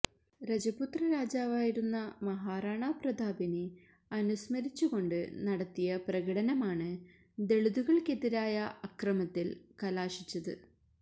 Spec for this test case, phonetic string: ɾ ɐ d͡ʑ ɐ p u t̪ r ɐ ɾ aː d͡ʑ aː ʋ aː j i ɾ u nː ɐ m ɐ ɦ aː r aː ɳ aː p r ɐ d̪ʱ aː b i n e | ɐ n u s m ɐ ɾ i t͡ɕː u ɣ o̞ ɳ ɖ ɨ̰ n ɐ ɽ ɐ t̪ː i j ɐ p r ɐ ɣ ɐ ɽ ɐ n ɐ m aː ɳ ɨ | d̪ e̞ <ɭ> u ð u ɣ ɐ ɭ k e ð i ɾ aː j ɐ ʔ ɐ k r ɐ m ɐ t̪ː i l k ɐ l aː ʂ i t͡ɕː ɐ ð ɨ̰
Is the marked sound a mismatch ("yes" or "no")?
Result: no